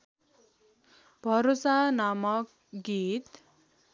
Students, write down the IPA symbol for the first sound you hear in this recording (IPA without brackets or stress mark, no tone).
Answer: bʱ